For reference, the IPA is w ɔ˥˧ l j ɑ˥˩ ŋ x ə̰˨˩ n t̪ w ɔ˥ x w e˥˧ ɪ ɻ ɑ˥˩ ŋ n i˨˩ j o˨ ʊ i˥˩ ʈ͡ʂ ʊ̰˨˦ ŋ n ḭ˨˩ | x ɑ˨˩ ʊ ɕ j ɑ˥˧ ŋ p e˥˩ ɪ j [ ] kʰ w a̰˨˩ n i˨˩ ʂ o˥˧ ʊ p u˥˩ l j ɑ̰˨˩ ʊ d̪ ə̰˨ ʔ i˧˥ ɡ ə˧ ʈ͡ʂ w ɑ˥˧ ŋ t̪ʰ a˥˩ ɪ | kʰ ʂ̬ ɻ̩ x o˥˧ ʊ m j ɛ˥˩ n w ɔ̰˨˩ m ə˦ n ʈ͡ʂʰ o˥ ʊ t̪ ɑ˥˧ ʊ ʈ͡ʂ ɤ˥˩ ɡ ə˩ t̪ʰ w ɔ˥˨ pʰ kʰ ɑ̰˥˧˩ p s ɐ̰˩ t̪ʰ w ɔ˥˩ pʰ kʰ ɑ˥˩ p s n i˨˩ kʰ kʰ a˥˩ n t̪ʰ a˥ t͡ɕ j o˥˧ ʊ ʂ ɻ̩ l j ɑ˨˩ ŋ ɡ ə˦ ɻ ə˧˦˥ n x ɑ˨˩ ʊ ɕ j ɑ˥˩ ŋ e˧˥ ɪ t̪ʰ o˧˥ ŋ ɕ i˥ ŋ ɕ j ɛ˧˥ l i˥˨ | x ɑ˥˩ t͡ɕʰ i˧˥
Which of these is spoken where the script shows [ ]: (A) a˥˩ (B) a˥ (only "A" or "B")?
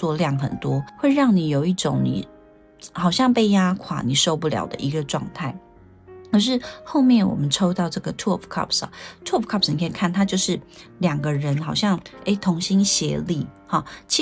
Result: B